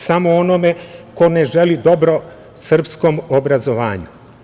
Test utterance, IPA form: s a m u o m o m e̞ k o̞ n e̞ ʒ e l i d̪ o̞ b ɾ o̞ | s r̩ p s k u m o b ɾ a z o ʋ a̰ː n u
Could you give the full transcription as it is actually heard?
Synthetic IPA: s a m o o n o m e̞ k o̞ n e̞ ʒ e l i d̪ o̞ b ɾ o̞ | s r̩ p s k o m o b ɾ a z o ʋ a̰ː ɲ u